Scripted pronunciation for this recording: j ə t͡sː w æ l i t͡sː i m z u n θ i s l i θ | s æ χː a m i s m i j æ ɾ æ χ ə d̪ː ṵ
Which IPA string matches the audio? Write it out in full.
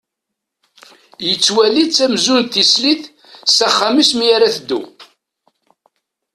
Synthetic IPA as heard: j ə t͡sː w æ l i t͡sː æ m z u n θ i s l i θ | s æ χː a m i s m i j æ ɾ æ θ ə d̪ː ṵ